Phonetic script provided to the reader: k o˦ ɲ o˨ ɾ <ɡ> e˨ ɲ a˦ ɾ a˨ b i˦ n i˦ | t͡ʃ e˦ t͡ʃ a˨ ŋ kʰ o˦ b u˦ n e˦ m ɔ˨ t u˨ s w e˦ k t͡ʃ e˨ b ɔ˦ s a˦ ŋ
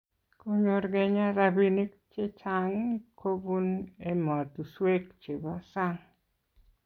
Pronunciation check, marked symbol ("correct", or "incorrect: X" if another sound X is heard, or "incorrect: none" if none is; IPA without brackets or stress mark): correct